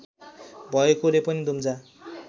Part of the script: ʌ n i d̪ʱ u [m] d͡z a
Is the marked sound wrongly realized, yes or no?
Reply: no